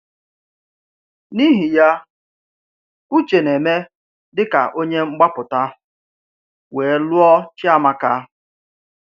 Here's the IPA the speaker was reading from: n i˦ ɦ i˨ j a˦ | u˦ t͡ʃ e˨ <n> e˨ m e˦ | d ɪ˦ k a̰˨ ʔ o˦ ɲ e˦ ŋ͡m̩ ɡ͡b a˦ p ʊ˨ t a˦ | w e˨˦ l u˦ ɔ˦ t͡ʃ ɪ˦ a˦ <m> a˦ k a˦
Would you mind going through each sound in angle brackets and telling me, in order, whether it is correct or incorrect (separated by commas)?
correct, correct